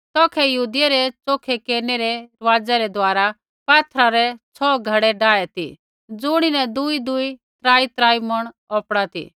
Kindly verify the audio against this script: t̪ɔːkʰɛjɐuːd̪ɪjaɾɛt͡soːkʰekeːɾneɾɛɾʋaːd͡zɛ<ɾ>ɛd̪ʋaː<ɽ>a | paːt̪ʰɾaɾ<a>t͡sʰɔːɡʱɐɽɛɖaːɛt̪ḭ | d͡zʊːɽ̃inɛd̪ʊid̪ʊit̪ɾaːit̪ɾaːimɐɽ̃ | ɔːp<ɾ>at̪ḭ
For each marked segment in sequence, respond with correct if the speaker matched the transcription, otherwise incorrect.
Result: correct, incorrect, incorrect, incorrect

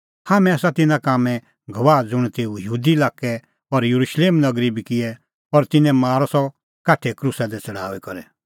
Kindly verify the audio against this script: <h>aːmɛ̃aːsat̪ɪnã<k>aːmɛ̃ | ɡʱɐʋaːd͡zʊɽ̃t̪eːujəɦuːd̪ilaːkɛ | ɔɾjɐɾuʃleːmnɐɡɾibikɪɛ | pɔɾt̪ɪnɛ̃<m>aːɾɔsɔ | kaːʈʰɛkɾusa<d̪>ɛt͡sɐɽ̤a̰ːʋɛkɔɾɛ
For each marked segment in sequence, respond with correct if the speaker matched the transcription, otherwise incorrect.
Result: correct, correct, correct, correct

